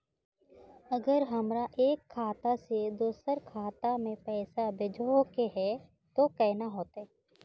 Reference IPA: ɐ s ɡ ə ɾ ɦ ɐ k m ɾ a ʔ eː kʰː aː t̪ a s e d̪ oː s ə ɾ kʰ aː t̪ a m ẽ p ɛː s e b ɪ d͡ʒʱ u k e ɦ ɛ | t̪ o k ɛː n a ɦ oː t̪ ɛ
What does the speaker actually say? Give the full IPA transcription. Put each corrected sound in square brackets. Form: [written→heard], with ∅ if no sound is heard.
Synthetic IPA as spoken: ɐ [s→∅] ɡ ə ɾ ɦ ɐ [k→∅] m ɾ a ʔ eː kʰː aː t̪ a s e d̪ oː s ə ɾ kʰ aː t̪ a m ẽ p ɛː s [e→a] b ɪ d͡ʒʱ [u→o] k e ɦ ɛ | t̪ o k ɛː n a ɦ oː t̪ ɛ